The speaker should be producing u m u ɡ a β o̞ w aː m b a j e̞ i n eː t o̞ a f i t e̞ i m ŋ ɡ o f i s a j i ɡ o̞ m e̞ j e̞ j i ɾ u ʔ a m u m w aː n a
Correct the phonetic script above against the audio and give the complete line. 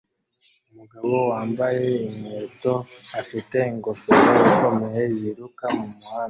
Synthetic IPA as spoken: u m u ɡ a β o̞ w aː m b a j e̞ i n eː t o̞ a f i t e̞ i ŋ ɡ o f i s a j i k o̞ m e̞ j e̞ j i ɾ u k a m u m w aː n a